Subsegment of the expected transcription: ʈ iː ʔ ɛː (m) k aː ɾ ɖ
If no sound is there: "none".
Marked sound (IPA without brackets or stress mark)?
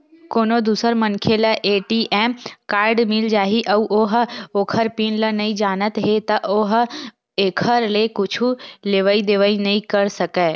m